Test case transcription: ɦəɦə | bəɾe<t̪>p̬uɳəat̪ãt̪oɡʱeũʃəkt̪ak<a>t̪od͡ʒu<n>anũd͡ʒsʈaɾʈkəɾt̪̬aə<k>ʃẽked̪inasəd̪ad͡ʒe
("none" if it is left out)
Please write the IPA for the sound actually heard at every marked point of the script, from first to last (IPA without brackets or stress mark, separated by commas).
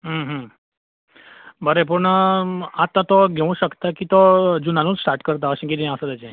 none, i, n, none